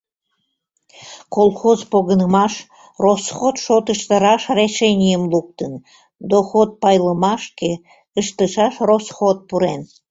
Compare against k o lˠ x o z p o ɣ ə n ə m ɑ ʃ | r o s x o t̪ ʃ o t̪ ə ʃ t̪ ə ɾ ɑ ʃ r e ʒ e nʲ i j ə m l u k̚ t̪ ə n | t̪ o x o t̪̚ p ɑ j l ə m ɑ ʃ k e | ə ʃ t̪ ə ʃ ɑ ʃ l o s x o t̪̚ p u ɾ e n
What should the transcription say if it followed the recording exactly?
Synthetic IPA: k o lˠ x o z p o ɣ ə n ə m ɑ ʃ | r o s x o t̪ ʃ o t̪ ə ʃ t̪ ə ɾ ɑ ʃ r e ʃ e nʲ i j ə m l u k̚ t̪ ə n | d̪ o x o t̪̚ p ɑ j l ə m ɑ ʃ k e | ə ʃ t̪ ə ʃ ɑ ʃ r o s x o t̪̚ p u ɾ e n